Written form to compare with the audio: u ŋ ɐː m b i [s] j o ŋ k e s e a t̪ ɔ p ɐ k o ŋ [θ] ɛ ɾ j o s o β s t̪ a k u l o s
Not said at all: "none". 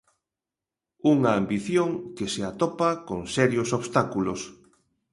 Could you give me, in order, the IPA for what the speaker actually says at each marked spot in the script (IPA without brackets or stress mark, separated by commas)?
θ, s